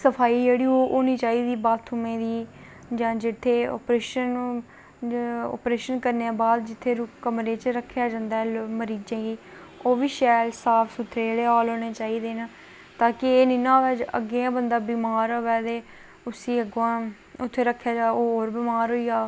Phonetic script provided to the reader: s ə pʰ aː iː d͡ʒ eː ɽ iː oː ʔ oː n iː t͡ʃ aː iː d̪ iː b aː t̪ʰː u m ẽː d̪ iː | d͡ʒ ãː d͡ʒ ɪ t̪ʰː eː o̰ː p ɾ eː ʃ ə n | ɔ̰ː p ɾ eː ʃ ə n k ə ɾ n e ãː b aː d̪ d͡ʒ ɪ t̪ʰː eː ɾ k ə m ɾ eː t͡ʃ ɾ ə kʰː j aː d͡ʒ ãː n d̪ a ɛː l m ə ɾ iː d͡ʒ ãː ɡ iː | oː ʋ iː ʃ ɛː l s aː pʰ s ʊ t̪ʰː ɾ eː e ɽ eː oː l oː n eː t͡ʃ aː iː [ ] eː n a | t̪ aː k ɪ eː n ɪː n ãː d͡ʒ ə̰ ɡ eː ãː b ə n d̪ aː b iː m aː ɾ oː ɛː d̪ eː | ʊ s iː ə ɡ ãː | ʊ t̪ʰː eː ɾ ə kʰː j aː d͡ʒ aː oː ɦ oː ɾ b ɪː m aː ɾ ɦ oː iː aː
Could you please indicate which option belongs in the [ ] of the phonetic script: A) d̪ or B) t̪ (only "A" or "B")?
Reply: A